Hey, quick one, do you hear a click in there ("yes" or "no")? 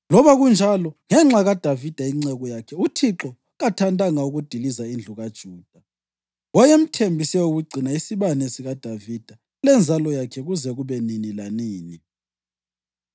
yes